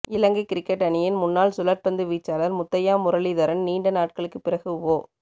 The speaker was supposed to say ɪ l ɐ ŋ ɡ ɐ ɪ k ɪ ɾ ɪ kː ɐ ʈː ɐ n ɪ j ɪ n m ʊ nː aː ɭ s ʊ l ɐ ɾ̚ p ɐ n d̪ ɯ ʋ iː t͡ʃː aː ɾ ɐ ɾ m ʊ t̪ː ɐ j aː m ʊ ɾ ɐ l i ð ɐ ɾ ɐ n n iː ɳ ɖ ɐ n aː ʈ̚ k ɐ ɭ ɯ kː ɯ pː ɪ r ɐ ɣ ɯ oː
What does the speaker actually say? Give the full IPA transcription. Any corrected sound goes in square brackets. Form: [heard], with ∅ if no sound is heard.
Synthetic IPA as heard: ɪ l ɐ ŋ ɡ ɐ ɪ k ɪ ɾ ɪ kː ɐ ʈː ɐ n ɪ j ɪ n m ʊ nː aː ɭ s ʊ l ɐ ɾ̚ p ɐ n d̪ ɯ ʋ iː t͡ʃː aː [l] ɐ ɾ m ʊ t̪ː ɐ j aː m ʊ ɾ ɐ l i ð ɐ ɾ ɐ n n iː ɳ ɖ ɐ n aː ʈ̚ k ɐ ɭ ɯ kː ɯ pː ɪ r ɐ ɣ ɯ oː